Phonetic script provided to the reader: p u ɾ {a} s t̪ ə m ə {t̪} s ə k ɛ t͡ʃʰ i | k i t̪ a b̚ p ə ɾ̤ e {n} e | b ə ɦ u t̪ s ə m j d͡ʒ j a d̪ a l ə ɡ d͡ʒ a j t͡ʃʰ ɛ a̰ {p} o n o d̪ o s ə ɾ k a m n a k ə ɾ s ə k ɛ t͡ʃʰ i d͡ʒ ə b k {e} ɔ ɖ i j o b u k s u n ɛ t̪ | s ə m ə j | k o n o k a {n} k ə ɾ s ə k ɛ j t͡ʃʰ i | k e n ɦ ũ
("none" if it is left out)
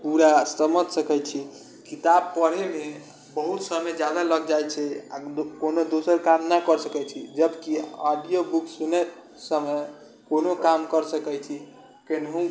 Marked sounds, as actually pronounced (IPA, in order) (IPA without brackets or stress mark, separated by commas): a, t̪, m, k, i, m